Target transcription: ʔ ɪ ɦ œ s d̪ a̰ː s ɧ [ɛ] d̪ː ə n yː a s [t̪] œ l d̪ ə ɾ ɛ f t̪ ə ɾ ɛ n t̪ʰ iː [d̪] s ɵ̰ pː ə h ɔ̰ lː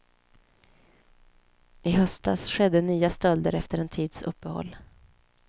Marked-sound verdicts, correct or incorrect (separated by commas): correct, correct, correct